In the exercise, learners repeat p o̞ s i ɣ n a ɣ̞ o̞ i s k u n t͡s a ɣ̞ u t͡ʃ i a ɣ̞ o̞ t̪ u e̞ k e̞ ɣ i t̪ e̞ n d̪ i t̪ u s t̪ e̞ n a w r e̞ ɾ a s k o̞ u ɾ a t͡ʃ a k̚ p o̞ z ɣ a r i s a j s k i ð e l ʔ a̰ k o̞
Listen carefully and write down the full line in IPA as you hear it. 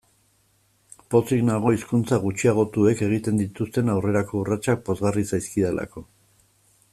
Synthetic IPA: p o̞ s i ɣ n a ɣ̞ o̞ i s k u n t͡s a ɣ̞ u t͡ʃ i a ɣ̞ o̞ t̪ u e̞ k e̞ ɣ i t̪ e̞ n d̪ i t̪ u s t̪ e̞ n a w r e̞ ɾ a k o̞ u r a t͡ʃ a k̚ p o̞ z ɣ a r i s a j s k i ð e l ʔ a̰ k o̞